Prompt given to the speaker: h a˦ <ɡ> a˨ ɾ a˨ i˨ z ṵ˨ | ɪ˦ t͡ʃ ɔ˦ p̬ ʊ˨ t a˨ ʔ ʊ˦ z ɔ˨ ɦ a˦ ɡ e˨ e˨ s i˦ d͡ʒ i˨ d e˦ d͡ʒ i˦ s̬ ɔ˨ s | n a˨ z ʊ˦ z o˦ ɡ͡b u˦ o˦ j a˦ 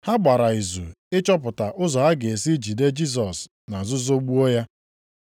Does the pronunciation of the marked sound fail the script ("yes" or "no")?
yes